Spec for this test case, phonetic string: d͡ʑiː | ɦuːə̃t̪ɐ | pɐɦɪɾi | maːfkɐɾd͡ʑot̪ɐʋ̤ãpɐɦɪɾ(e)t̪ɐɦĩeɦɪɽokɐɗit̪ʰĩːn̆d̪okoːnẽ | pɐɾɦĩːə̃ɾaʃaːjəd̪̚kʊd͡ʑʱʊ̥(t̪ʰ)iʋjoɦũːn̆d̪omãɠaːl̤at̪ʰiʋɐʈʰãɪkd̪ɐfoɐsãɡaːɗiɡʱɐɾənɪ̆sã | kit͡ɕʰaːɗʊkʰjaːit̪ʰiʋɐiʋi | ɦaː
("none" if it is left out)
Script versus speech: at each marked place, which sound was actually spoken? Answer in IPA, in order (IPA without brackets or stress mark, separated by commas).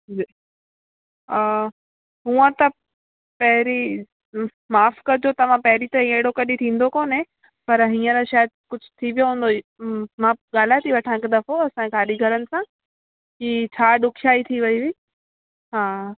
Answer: i, t̪ʰ